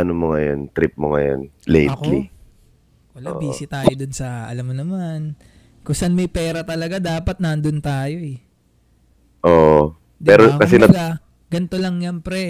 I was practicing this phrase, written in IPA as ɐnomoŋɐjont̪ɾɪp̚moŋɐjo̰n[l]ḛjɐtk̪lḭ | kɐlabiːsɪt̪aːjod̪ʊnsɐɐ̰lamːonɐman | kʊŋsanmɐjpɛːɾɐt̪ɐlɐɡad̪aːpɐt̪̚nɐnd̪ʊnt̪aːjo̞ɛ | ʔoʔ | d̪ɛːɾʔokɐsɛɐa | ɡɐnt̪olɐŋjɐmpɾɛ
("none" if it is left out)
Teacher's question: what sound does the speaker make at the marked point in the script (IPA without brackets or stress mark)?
l